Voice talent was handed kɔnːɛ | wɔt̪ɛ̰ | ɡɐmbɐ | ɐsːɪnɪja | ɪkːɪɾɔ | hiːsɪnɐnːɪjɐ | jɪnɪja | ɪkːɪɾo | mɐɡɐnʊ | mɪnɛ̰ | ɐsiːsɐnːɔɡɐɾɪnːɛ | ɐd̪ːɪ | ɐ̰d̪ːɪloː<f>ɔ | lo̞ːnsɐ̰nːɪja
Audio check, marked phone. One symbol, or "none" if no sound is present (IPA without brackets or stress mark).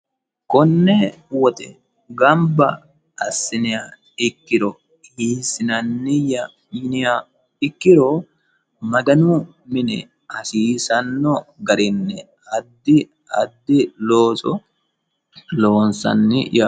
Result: s